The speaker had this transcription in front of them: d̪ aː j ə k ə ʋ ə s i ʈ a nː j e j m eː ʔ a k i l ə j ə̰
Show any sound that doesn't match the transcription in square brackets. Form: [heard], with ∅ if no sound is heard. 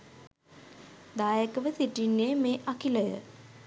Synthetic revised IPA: d̪ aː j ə k ə ʋ ə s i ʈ [i] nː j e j m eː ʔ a k i l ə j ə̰